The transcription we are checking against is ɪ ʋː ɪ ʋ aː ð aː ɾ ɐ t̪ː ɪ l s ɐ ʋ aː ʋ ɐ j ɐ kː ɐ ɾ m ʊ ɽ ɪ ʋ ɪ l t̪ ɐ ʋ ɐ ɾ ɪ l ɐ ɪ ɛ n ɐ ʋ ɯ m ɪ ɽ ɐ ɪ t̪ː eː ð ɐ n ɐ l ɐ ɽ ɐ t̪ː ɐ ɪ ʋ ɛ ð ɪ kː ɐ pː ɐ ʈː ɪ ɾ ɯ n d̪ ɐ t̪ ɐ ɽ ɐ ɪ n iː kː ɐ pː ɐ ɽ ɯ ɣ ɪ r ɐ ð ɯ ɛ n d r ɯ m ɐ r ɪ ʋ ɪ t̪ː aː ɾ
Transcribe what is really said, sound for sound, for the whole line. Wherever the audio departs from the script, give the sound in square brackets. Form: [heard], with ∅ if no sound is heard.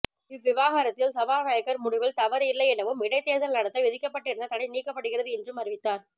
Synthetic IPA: ɪ ʋː ɪ ʋ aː [ɣ] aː ɾ ɐ t̪ː ɪ l s ɐ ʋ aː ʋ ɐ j ɐ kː ɐ ɾ m ʊ ɽ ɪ ʋ ɪ l t̪ ɐ ʋ ɐ ɾ ɪ [lː] ɐ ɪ ɛ n ɐ ʋ ɯ m ɪ ɽ ɐ ɪ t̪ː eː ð ɐ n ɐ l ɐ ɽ ɐ t̪ː ɐ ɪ ʋ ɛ ð ɪ kː ɐ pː ɐ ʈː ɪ ɾ ɯ n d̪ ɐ t̪ ɐ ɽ ɐ ɪ n iː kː ɐ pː ɐ ɽ ɯ ɣ ɪ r ɐ ð ɯ ɛ n d r ɯ m ɐ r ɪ ʋ ɪ t̪ː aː ɾ